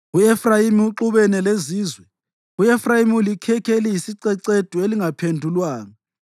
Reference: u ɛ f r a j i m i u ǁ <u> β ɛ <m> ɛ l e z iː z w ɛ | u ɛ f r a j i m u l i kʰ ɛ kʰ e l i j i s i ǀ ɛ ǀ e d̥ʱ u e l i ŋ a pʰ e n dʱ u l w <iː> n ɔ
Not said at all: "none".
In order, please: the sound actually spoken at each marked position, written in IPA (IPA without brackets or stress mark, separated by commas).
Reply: u, n, aː